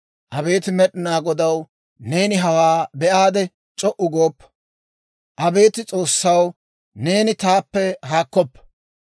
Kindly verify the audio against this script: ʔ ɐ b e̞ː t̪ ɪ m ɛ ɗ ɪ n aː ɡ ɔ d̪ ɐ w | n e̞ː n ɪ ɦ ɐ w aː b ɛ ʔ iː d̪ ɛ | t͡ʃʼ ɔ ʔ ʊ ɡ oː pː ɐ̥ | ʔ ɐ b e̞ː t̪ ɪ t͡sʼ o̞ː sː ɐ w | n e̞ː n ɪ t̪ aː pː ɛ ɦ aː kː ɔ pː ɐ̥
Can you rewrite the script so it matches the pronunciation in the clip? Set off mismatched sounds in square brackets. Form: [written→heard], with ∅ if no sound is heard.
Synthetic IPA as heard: ʔ ɐ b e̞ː t̪ ɪ m ɛ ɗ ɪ n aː ɡ ɔ d̪ ɐ w | n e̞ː n ɪ ɦ ɐ w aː b ɛ ʔ [iː→aː] d̪ ɛ | t͡ʃʼ ɔ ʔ ʊ ɡ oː pː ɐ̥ | ʔ ɐ b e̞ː t̪ ɪ t͡sʼ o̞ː sː ɐ w | n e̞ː n ɪ t̪ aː pː ɛ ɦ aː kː ɔ pː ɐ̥